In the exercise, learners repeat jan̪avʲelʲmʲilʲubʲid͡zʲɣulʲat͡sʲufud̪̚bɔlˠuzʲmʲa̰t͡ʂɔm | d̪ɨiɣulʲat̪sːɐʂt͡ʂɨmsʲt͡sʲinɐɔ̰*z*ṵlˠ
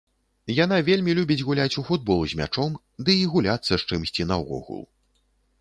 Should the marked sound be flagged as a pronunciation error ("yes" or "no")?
yes